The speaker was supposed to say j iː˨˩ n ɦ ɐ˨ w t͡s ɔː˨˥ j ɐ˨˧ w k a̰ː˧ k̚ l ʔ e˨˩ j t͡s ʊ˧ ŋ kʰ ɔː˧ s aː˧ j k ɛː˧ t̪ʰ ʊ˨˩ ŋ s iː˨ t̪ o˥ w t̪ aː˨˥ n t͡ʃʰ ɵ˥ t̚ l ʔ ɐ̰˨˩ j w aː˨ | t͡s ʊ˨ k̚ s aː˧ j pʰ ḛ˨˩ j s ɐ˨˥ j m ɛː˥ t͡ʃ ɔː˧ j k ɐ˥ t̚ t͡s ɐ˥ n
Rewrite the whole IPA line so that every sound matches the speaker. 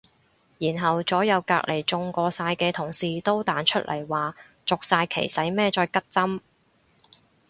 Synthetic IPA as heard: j iː˨˩ n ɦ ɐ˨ w t͡s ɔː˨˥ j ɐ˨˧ w k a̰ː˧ k̚ l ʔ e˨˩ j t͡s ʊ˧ ŋ k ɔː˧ s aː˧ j k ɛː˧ t̪ʰ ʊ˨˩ ŋ s iː˨ t̪ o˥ w t̪ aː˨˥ n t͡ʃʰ ɵ˥ t̚ l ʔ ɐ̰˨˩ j w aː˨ | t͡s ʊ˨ k̚ s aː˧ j kʰ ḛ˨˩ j s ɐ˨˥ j m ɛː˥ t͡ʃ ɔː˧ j k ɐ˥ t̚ t͡s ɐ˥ m